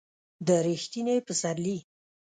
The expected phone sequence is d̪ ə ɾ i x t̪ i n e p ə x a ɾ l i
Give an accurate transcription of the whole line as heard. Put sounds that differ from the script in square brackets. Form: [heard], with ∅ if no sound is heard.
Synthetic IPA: d̪ ə ɾ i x t̪ i n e p ə [s] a ɾ l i